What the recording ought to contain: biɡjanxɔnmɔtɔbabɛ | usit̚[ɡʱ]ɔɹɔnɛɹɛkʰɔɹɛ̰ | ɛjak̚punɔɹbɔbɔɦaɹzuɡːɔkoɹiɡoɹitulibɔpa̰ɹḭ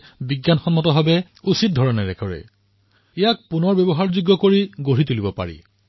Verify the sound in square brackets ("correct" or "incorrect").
incorrect